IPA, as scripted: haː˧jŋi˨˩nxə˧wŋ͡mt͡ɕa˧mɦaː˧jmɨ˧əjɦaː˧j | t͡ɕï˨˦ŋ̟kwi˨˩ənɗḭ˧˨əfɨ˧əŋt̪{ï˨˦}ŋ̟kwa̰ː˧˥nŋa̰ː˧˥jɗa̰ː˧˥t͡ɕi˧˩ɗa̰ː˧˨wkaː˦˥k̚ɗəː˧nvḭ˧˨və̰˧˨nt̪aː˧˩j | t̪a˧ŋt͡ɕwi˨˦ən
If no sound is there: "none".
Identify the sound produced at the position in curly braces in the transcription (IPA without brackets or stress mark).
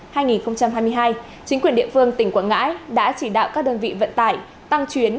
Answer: ï˧˩